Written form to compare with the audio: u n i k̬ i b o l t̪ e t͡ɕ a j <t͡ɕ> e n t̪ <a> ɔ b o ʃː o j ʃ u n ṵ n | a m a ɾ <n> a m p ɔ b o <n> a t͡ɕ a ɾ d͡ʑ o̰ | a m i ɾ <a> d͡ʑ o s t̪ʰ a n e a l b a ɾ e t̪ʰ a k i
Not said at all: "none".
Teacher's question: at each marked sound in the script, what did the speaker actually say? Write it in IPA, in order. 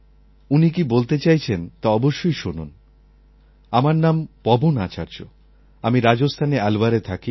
t͡ɕʰ, a, n, n, a

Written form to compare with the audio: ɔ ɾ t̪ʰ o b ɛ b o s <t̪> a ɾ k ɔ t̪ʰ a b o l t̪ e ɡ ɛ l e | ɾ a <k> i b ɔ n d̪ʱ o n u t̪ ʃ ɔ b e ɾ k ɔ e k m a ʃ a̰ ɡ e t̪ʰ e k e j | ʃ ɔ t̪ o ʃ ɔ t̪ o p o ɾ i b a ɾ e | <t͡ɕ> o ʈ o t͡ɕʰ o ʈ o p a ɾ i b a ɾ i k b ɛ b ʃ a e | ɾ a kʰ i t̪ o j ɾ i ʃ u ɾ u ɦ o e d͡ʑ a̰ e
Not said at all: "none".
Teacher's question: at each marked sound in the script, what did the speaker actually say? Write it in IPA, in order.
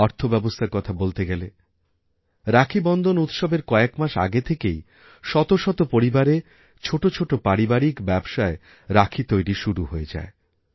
t̪ʰ, kʰ, t͡ɕʰ

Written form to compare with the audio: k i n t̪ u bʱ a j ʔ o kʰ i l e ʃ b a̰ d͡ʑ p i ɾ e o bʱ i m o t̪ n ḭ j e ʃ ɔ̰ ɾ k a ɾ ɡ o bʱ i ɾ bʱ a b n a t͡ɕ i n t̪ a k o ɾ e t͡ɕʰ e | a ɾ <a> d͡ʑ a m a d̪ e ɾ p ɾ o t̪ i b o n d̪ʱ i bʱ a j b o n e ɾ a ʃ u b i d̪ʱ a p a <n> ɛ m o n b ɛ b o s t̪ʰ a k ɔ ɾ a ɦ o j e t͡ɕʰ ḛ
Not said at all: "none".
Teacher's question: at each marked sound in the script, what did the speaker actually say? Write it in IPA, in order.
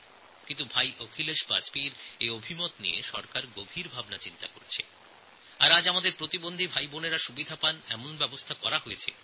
a, n

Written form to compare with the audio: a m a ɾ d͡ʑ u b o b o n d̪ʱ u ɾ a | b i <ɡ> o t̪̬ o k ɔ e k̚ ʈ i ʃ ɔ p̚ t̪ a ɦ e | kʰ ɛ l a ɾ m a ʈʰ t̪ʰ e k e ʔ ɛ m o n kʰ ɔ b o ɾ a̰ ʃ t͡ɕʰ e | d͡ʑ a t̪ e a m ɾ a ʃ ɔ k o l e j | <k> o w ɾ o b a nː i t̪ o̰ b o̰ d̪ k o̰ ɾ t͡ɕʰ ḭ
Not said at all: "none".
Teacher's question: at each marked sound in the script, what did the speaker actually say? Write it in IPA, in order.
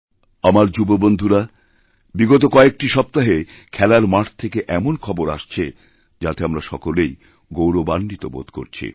ɡ, ɡ

